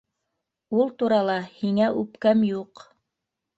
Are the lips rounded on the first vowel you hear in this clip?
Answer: yes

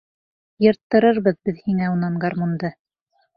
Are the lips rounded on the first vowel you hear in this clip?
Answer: no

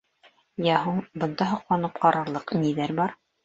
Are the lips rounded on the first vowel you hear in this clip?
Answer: no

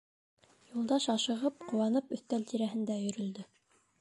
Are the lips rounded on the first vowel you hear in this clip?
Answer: yes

